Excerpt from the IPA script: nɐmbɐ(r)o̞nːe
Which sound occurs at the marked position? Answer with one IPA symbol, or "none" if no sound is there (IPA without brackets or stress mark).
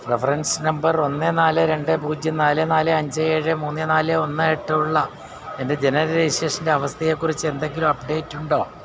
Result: r